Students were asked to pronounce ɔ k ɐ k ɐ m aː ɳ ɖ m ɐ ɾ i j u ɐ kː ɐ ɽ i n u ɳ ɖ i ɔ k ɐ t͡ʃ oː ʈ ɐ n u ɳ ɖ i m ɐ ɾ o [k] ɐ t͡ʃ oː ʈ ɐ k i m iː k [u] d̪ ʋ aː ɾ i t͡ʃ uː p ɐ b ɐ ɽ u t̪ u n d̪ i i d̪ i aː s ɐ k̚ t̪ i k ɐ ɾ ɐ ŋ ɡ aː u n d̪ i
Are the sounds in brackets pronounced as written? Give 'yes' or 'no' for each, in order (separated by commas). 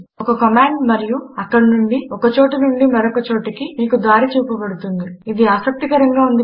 yes, yes